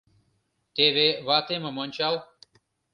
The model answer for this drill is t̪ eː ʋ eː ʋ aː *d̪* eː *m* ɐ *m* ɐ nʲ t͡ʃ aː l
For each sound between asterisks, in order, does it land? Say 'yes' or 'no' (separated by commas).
no, yes, yes